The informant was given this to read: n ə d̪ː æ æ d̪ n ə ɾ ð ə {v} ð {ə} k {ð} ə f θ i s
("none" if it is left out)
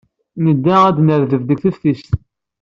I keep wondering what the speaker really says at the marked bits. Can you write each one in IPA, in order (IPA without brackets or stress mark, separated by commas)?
v, ə, θ